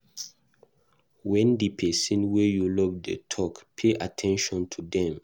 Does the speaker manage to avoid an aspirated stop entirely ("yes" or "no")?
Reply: no